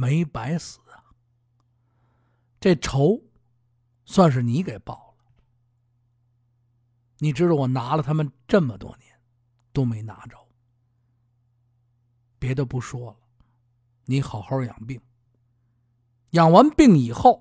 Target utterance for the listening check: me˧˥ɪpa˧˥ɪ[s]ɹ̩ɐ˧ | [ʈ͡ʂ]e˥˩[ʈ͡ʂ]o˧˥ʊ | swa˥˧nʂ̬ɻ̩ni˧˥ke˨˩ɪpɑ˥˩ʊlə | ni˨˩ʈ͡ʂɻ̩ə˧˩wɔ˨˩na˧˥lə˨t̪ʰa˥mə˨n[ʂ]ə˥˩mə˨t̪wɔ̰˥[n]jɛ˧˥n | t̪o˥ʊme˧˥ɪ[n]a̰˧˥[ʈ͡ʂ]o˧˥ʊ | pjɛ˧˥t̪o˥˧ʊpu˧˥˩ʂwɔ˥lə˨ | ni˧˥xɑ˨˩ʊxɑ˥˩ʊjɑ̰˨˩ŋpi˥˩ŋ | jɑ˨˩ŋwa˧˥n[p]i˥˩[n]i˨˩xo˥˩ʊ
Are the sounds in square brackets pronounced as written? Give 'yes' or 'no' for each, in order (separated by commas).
yes, yes, no, no, yes, yes, yes, yes, no